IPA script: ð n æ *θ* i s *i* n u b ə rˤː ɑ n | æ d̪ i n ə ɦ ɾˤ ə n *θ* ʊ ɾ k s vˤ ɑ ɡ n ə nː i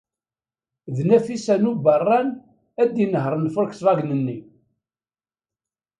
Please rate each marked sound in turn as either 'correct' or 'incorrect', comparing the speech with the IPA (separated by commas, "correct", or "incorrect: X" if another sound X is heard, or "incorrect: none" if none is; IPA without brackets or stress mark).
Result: incorrect: f, incorrect: æ, incorrect: f